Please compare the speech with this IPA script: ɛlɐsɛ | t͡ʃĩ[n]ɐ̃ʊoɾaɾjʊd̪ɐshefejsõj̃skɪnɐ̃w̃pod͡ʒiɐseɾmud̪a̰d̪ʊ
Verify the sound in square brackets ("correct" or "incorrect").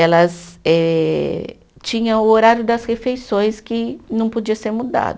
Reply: incorrect